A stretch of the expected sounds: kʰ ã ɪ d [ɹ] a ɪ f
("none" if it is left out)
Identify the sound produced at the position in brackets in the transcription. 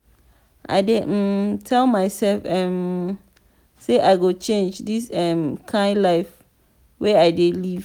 l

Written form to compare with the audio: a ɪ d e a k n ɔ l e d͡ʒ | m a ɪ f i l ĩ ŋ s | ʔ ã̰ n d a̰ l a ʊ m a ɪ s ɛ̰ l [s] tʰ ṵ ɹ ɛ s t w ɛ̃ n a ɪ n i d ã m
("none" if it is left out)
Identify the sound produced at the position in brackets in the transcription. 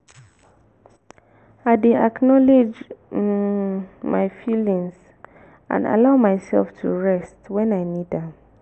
f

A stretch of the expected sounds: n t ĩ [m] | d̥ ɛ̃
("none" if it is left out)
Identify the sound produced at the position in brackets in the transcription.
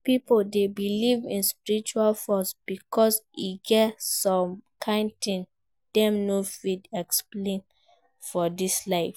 n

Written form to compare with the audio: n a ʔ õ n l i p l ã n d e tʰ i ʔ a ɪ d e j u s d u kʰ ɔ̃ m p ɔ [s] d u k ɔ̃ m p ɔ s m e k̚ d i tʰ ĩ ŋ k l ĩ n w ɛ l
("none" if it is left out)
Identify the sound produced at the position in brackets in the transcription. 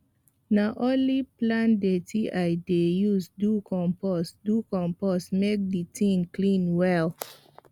s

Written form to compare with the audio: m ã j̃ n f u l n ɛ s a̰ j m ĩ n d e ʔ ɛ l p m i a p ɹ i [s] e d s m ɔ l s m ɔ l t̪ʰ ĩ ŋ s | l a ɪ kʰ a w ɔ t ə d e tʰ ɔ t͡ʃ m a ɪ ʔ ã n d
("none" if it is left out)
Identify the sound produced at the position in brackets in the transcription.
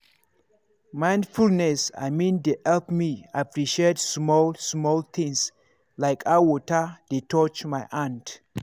ʃ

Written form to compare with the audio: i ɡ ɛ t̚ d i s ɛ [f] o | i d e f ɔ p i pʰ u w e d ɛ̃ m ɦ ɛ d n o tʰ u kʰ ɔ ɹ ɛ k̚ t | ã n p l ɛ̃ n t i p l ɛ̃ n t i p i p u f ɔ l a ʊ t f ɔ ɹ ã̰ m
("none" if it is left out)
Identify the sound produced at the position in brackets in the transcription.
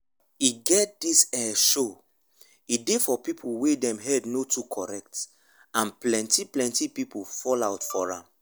ʃ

